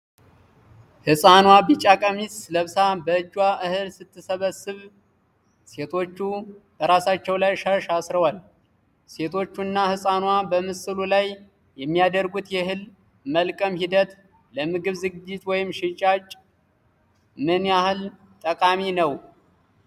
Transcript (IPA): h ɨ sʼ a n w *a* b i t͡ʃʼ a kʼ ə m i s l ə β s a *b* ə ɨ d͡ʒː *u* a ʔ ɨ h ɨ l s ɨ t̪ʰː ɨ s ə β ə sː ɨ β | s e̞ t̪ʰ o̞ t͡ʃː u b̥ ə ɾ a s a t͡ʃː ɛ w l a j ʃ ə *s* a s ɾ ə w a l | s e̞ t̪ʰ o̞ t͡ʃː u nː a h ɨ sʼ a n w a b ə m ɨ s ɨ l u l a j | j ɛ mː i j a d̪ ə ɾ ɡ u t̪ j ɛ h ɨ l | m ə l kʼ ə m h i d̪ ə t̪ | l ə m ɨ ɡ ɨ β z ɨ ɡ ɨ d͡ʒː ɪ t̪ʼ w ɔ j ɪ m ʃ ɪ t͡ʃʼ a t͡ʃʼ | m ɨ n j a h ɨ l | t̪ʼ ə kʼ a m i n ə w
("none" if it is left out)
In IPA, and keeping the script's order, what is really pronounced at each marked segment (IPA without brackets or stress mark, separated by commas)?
a, b, w, ʃ